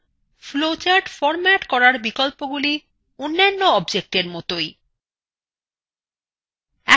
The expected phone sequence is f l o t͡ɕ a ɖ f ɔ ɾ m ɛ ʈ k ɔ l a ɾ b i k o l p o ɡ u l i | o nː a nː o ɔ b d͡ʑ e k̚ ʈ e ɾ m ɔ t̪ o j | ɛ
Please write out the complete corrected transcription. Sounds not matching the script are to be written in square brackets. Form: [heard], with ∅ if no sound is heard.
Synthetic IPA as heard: f l o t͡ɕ a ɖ f ɔ ɾ m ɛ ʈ k ɔ [ɾ] a ɾ b i k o l p o ɡ u l i | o nː a nː o ɔ b d͡ʑ e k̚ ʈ e ɾ m ɔ t̪ o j | ɛ